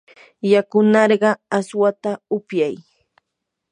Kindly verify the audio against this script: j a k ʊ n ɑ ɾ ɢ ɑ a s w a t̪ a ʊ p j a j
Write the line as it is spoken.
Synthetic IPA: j a k ʊ n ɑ ɾ ɢ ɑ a s w a t̪ a ʊ p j a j